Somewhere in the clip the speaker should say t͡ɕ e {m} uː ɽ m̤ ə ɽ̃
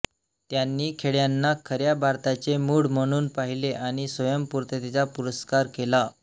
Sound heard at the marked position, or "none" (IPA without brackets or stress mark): m